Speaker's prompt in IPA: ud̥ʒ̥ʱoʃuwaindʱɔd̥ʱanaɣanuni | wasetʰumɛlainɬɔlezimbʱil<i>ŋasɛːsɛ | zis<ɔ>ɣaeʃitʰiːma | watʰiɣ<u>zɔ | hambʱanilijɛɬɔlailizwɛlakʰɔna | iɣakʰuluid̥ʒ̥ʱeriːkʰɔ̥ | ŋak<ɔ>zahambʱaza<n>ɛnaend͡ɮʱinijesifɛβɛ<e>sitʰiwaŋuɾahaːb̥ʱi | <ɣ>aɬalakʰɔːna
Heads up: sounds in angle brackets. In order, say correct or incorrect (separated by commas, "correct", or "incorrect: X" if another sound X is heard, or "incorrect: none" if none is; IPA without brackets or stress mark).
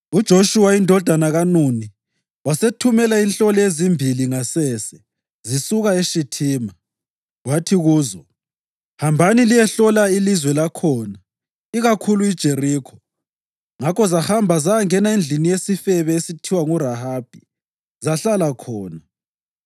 correct, incorrect: u, incorrect: uː, correct, incorrect: ŋ, correct, incorrect: z